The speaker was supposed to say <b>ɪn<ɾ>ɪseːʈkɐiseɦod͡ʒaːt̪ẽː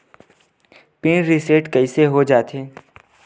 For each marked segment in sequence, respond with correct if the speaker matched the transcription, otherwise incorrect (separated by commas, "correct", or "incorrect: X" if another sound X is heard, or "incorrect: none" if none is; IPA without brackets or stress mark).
incorrect: p, correct